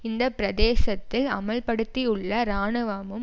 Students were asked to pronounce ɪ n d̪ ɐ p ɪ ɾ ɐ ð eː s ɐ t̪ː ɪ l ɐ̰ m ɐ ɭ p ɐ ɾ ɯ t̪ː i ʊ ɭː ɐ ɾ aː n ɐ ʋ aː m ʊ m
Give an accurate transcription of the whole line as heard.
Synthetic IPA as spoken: ɪ n d̪ ɐ p ɪ ɾ ɐ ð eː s ɐ t̪ː ɪ l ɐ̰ m ɐ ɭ p ɐ ɽ ɯ t̪ː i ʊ ɭː ɐ ɾ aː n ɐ ʋ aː m ɯ m